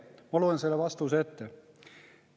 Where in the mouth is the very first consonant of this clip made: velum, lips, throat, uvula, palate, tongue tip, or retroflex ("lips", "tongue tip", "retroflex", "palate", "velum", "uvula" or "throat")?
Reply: lips